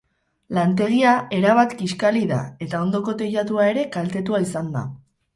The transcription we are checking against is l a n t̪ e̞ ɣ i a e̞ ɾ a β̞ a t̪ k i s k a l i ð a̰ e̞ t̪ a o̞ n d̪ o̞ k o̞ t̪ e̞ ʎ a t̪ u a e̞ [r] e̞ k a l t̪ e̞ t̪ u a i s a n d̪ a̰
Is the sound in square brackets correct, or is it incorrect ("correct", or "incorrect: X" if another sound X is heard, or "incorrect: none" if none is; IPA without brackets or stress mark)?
incorrect: ɾ